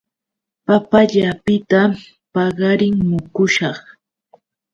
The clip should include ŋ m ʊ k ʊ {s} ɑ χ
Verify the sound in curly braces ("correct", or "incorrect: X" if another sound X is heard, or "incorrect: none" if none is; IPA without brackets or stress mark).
incorrect: ʃ